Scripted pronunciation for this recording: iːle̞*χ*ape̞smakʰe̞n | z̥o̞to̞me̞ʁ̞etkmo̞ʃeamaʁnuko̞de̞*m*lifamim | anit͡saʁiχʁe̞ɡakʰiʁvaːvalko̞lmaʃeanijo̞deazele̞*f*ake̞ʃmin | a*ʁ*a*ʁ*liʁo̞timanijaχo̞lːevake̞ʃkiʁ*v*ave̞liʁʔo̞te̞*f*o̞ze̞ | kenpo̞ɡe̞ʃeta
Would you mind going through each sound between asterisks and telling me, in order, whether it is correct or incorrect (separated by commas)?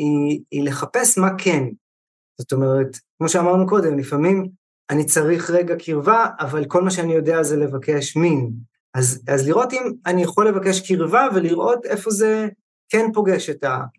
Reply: correct, correct, incorrect, incorrect, incorrect, correct, correct